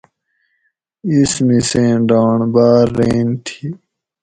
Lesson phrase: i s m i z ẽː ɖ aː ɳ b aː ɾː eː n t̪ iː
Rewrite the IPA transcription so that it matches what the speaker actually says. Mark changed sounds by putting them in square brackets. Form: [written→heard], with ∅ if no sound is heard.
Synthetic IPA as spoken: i s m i [z→s] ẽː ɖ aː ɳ b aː ɾː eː n [t̪→t̪ʰ] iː